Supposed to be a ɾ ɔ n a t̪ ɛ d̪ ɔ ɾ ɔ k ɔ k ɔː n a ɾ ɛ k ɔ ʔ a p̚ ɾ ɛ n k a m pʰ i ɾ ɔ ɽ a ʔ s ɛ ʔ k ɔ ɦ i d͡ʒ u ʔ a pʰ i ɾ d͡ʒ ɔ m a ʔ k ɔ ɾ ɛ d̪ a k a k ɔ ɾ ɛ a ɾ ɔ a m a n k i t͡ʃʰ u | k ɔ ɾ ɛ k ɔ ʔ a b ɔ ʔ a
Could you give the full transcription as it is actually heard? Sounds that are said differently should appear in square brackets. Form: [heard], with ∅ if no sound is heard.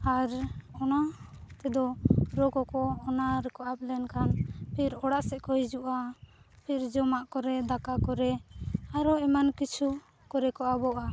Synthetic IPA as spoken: a ɾ ɔ n a t̪ ɛ d̪ ɔ ɾ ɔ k ɔ k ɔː n a ɾ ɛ k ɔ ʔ a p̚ [l] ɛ n k a [n] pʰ i ɾ ɔ ɽ a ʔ s ɛ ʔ k ɔ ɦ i d͡ʒ u ʔ a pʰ i ɾ d͡ʒ ɔ m a ʔ k ɔ ɾ ɛ d̪ a k a k ɔ ɾ ɛ a ɾ ɔ [ɛ] m a n k i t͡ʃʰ u | k ɔ ɾ ɛ k ɔ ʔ a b ɔ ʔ a